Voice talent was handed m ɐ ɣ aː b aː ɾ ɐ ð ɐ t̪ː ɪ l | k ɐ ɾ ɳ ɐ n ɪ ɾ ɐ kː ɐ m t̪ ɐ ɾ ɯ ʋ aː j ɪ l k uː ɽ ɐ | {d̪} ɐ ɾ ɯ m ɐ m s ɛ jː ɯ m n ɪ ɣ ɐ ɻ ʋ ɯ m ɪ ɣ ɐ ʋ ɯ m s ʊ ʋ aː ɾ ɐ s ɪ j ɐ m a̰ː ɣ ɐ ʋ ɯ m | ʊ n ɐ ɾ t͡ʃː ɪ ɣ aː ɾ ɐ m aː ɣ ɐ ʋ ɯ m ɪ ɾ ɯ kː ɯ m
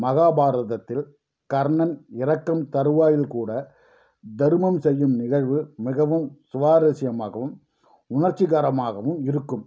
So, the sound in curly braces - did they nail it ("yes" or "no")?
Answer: yes